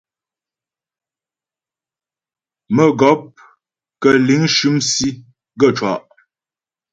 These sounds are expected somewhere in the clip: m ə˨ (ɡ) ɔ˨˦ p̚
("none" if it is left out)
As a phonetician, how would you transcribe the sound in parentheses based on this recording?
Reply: ɡ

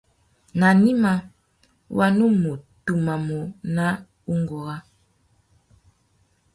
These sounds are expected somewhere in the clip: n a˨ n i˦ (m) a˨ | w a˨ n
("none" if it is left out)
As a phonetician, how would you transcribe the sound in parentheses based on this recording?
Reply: m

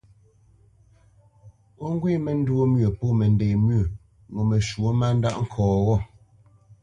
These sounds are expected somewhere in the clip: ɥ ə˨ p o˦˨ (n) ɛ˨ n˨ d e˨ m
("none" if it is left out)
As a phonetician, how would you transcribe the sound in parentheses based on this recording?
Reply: m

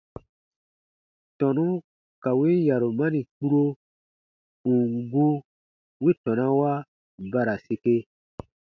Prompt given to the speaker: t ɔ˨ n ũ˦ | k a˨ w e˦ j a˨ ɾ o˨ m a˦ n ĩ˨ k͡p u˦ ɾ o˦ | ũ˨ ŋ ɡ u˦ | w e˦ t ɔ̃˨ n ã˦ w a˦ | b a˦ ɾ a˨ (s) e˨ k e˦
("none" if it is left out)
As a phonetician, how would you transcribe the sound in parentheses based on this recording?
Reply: s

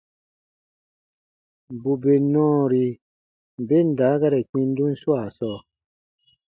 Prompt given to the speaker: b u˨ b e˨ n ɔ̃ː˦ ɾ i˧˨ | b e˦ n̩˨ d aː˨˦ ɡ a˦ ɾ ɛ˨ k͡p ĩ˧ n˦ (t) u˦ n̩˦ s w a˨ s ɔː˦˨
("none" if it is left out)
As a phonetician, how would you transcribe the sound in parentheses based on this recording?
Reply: d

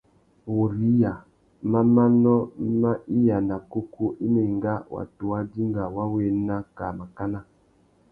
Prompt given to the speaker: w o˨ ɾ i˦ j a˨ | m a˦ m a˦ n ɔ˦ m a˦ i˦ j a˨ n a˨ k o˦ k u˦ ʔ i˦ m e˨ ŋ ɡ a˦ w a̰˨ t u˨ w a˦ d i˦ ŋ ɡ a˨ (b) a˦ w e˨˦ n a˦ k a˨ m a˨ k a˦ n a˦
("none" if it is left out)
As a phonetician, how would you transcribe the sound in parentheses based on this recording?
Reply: w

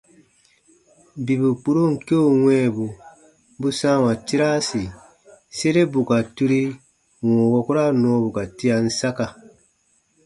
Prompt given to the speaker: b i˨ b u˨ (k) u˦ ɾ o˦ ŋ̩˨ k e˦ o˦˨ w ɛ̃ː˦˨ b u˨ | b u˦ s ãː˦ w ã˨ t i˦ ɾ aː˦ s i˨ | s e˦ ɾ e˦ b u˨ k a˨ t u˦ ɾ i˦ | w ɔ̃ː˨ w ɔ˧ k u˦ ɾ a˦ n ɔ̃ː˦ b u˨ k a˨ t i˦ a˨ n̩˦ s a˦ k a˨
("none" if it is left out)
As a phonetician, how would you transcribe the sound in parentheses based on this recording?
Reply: k͡p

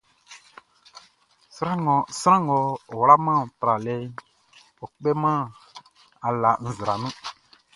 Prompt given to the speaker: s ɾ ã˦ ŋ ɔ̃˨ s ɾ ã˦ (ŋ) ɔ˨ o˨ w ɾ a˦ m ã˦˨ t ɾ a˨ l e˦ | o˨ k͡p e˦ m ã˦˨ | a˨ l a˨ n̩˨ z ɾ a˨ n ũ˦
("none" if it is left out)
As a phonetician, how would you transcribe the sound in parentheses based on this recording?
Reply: ŋ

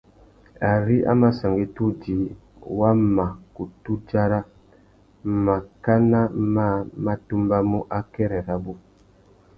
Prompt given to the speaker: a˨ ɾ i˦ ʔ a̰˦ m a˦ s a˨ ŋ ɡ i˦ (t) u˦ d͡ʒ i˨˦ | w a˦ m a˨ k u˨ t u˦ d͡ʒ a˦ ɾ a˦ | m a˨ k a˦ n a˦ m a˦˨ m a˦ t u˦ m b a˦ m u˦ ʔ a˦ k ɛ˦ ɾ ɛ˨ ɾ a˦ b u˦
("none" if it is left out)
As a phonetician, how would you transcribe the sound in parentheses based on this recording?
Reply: t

